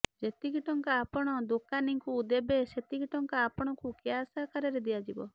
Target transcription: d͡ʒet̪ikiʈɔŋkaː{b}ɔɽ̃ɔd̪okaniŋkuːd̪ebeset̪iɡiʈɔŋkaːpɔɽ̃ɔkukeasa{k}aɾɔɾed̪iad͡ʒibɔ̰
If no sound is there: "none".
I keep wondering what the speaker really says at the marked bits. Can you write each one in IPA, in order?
p, k

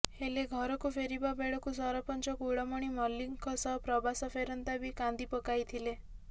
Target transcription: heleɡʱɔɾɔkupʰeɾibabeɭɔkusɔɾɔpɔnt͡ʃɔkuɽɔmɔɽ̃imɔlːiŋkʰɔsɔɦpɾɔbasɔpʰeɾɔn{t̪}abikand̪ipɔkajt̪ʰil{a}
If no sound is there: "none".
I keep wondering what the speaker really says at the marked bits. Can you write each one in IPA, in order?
t̪, e

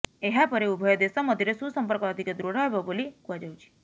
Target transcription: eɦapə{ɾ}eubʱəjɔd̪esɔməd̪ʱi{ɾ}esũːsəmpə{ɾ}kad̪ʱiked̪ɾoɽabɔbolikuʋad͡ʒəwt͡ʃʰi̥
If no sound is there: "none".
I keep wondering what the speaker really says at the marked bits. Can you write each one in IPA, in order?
ɾ, ɾ, ɾ

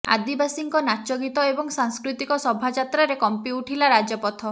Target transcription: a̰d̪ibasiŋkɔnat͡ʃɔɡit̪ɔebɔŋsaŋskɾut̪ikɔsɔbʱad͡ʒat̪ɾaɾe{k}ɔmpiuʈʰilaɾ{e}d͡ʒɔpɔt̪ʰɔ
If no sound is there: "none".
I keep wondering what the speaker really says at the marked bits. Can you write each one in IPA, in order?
k, a

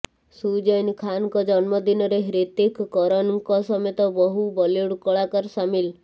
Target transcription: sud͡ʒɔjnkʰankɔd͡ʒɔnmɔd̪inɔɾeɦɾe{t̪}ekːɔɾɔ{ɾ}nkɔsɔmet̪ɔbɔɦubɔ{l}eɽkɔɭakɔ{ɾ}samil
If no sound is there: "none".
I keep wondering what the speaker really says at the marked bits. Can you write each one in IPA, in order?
t̪, none, l, ɾ

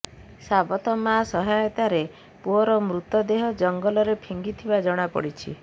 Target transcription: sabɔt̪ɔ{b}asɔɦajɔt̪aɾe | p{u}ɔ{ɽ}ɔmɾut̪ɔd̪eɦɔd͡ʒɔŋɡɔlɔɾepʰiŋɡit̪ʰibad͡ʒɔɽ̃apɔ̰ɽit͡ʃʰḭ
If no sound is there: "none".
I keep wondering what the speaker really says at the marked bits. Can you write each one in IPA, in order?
m, u, ɾ

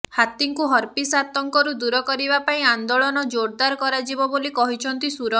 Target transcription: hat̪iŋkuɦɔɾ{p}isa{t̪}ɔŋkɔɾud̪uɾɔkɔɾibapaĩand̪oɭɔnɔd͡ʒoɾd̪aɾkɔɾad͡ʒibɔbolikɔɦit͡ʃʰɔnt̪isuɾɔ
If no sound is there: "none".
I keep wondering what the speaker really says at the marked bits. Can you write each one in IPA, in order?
p, t̪

